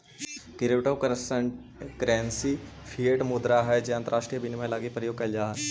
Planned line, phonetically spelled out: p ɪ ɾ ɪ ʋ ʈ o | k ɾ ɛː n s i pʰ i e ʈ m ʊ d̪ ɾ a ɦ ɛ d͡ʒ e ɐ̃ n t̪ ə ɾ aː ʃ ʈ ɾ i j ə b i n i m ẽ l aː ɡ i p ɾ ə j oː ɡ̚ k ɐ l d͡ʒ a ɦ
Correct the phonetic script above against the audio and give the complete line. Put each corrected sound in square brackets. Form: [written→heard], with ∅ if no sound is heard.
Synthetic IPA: [p→k] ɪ ɾ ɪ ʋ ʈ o | k ɾ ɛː n s i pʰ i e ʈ m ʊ d̪ ɾ a ɦ ɛ d͡ʒ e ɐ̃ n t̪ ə ɾ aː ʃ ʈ ɾ i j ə b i n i m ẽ l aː ɡ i p ɾ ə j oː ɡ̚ k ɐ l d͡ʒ a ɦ